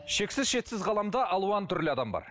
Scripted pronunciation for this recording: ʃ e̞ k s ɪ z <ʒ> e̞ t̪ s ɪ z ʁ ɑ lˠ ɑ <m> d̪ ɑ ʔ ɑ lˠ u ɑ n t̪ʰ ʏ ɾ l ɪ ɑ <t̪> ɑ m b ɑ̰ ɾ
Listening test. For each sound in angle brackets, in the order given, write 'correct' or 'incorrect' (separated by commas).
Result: incorrect, correct, incorrect